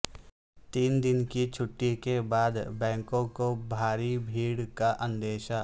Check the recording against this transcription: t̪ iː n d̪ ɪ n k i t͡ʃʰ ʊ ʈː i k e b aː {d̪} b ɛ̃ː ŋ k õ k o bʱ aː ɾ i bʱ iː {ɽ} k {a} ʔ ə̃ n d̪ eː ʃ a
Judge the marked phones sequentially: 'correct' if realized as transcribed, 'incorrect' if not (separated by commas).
correct, correct, correct